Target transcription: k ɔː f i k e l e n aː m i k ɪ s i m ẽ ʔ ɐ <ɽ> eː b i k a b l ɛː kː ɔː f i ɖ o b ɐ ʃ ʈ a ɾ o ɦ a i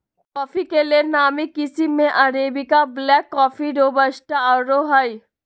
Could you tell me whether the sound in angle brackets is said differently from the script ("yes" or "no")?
yes